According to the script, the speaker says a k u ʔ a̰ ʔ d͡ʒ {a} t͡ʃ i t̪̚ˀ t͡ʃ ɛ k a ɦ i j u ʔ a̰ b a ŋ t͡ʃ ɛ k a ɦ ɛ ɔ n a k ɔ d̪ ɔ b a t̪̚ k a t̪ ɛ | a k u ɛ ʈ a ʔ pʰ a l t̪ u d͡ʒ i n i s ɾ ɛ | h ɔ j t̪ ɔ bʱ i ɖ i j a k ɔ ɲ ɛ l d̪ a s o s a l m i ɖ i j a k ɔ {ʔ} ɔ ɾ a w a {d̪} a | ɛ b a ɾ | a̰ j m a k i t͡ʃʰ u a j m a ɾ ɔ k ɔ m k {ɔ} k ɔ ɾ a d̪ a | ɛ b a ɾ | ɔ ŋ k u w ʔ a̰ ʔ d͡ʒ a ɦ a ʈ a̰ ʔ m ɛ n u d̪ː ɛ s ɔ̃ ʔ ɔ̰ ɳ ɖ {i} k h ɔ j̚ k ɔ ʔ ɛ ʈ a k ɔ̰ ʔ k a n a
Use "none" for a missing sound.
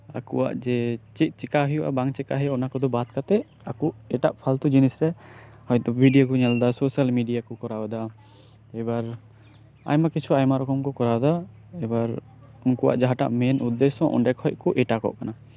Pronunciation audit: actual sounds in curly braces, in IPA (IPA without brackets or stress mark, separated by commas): ɛ, k, d̪, ɔ, ɛ